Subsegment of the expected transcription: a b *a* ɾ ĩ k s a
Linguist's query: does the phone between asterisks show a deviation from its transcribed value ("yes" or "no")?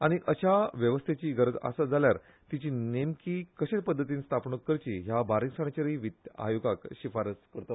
no